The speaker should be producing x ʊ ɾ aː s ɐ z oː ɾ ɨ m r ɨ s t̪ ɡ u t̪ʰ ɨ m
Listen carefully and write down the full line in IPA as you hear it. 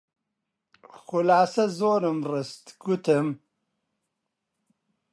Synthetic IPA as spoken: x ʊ l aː s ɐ z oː ɾ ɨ m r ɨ s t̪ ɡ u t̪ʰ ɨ m